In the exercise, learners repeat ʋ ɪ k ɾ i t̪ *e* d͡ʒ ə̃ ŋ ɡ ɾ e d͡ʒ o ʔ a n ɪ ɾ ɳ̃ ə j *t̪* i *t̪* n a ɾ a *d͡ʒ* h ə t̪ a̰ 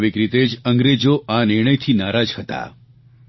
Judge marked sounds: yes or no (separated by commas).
yes, no, no, yes